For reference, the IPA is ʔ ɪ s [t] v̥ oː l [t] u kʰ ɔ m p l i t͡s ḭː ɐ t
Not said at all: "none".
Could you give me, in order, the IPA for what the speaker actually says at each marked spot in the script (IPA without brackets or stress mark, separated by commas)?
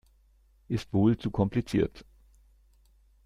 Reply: t, t͡s